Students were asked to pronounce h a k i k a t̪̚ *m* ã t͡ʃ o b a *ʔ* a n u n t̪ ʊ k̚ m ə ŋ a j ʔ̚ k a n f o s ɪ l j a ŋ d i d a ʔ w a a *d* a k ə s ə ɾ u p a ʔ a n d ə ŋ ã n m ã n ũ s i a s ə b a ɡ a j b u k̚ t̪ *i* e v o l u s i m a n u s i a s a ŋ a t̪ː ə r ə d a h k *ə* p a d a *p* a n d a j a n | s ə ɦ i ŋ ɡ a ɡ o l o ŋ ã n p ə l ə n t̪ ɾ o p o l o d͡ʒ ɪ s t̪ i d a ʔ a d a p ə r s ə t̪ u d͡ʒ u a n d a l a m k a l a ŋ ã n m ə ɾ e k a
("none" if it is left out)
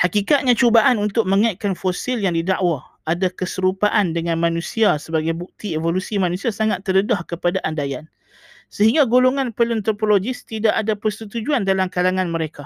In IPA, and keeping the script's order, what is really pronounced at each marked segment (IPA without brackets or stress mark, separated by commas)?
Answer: ɲ, ʔ, d, i, ə, ʔ